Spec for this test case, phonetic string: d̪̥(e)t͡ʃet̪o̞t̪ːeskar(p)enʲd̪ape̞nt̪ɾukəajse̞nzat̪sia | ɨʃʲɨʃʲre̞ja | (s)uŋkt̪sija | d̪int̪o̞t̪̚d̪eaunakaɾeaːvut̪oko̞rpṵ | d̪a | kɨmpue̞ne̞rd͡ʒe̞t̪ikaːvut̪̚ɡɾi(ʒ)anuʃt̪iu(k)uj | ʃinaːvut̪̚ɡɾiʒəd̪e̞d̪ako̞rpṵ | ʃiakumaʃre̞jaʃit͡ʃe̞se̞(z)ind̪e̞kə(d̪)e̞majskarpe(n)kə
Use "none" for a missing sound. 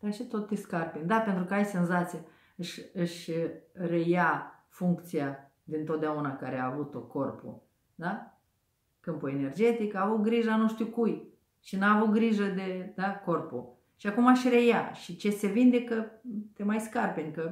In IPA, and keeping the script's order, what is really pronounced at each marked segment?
a, p, f, ʒ, k, v, t̪, n

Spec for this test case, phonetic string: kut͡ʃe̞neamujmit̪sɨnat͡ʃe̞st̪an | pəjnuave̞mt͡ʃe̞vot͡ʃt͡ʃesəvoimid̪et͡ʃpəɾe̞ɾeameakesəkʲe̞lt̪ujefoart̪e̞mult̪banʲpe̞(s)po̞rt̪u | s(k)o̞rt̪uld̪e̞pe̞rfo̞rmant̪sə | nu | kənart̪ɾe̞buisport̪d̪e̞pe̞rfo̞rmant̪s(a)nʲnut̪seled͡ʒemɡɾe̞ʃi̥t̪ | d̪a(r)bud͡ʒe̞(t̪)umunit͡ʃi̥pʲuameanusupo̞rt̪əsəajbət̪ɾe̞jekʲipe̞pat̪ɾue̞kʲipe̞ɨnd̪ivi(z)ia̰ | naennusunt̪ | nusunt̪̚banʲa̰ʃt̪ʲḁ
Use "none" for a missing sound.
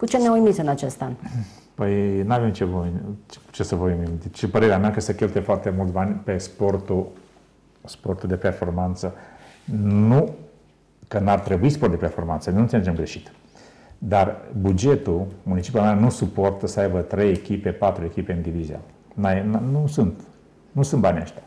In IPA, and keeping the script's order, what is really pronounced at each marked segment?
s, p, ə, r, t̪, z

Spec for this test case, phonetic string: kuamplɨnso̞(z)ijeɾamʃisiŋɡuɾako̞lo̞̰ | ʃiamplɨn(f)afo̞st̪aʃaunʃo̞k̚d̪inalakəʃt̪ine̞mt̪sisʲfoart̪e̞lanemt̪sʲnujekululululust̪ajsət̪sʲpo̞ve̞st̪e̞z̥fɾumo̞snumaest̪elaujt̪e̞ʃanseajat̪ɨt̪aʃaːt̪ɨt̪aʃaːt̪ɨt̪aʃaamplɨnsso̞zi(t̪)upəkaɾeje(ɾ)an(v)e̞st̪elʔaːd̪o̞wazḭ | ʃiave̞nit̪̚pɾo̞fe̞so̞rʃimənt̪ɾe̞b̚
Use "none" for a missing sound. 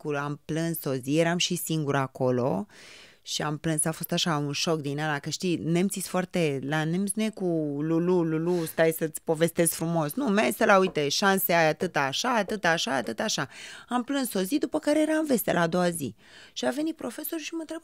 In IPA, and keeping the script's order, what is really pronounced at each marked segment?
z, s, d̪, ɾ, v

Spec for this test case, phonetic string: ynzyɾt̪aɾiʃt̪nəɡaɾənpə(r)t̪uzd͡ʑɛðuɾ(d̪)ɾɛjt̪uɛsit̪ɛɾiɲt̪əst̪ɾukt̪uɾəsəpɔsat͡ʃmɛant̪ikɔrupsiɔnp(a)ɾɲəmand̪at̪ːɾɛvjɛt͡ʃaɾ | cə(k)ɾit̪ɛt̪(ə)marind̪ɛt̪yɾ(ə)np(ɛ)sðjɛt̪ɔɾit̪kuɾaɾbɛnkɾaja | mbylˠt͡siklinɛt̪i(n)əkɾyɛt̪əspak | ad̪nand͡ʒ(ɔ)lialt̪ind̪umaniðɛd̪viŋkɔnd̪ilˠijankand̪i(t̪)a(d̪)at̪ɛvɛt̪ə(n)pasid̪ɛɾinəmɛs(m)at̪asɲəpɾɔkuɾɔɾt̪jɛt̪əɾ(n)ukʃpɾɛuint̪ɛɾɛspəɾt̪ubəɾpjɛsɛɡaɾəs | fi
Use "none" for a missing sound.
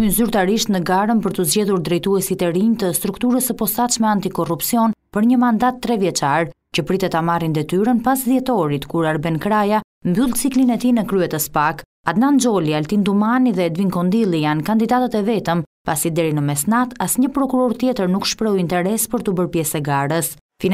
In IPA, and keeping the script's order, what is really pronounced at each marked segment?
ɾ, d̪, ə, p, a, ə, a, n, ɔ, d̪, t̪, m, n, n

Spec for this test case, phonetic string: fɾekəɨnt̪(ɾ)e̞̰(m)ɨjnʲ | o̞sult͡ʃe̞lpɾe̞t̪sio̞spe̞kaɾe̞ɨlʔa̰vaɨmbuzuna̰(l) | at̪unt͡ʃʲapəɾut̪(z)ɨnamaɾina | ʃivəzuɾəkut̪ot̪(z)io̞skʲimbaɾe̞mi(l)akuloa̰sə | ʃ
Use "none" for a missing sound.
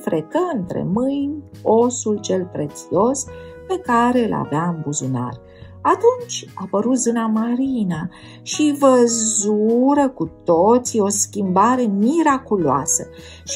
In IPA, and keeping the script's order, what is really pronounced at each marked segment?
ɾ, m, r, z, s, ɾ

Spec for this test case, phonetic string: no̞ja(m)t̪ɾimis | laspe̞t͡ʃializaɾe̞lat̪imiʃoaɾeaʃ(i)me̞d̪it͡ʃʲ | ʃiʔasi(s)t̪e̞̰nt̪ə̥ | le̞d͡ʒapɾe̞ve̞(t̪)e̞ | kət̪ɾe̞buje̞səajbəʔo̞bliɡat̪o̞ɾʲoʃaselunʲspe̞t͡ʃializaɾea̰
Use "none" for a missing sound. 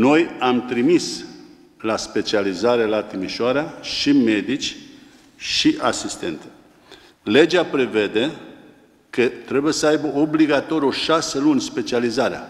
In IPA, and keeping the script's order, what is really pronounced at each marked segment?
m, i, s, d̪

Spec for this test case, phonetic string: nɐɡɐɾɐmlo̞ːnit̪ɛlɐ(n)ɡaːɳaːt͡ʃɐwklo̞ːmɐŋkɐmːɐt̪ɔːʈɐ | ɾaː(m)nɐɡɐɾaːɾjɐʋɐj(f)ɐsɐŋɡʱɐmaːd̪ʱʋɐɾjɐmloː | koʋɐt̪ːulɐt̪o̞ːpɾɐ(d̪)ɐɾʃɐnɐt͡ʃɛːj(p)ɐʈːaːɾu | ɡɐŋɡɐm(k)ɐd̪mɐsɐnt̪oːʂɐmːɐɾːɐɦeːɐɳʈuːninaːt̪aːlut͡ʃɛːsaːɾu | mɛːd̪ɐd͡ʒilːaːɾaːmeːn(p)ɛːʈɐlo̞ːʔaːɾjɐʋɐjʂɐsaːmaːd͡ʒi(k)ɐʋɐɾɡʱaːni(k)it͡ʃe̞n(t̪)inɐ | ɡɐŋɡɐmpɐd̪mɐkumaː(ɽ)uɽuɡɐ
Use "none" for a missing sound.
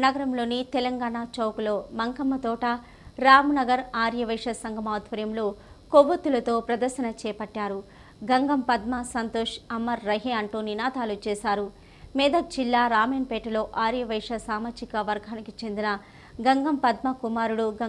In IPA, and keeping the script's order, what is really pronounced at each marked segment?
ŋ, m, ʂ, d̪, p, p, p, k, k, d̪, ɾ

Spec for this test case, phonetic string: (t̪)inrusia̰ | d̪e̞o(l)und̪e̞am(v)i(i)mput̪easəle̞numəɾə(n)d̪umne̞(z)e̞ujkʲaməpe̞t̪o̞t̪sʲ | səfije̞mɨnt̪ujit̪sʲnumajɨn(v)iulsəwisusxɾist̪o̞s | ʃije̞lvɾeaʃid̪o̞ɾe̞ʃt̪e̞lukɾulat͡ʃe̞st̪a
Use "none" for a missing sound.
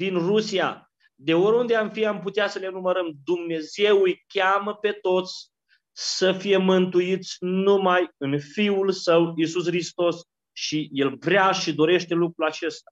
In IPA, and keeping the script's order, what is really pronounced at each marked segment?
d̪, ɾ, f, a, m, z, f

